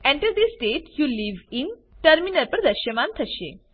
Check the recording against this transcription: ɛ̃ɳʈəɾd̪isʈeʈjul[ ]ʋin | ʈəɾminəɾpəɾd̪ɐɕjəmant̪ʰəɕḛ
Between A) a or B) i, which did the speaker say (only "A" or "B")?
B